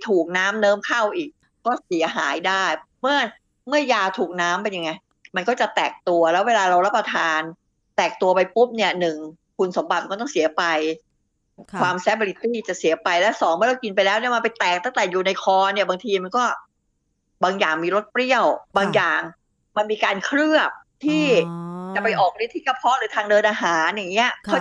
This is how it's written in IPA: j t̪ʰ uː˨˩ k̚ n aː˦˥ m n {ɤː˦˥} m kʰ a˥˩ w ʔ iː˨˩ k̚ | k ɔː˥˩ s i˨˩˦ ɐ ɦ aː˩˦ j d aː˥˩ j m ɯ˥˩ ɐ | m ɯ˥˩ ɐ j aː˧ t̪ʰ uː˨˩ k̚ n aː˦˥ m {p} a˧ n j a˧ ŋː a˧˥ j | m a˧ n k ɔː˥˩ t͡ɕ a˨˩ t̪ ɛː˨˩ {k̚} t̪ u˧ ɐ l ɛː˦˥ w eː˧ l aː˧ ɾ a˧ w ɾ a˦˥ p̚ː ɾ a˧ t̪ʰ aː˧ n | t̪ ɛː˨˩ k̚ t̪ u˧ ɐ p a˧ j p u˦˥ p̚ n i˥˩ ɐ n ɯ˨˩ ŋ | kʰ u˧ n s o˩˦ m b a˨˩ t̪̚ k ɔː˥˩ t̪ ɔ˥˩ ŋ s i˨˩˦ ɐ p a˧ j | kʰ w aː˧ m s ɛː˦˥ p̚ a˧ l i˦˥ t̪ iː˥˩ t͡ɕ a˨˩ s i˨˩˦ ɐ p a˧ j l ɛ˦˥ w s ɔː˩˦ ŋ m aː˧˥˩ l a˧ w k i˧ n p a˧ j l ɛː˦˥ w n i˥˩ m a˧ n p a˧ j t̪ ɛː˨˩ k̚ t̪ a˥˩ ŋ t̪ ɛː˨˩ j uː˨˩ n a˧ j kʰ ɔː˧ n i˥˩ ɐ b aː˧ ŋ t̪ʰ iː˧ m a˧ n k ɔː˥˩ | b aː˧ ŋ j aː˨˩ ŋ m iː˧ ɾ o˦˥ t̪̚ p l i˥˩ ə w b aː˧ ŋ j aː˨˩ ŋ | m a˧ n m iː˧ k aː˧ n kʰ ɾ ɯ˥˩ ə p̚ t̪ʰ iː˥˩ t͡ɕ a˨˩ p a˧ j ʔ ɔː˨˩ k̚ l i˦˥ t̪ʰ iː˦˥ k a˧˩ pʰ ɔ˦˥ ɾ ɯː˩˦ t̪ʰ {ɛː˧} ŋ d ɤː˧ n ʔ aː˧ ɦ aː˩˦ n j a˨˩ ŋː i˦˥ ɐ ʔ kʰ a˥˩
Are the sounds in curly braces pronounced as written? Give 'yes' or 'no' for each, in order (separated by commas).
yes, yes, yes, no